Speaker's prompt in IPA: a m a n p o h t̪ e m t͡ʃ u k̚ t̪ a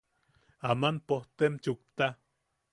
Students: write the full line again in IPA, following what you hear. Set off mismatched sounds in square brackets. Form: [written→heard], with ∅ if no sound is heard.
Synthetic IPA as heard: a m a n p o h t̪ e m t͡ʃ u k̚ t̪ a